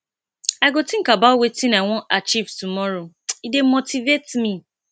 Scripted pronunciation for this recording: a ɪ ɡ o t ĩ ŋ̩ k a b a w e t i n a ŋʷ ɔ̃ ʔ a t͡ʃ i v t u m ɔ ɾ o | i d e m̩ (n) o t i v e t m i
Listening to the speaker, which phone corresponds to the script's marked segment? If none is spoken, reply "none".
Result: m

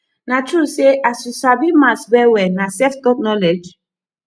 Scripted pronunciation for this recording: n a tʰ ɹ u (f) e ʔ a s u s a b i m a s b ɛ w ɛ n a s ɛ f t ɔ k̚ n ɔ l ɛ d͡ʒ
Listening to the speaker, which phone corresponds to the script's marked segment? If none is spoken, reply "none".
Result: s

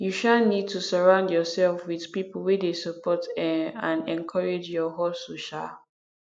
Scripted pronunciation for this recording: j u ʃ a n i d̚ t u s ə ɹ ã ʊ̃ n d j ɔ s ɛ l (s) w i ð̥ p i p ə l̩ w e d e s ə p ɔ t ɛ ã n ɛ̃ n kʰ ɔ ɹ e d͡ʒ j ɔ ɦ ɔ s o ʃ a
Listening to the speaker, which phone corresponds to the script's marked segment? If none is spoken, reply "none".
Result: f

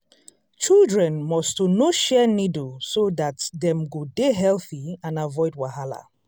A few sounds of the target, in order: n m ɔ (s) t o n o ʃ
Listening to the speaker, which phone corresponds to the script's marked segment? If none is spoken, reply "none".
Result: s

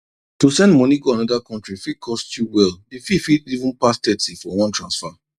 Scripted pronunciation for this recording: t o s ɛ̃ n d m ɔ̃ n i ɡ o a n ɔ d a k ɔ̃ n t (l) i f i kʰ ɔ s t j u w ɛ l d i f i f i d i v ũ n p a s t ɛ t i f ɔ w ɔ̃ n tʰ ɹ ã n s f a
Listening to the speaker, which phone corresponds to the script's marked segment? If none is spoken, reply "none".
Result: ɹ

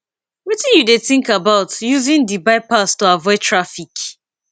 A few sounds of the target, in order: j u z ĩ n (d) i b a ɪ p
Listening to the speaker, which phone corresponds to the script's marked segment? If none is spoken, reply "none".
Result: d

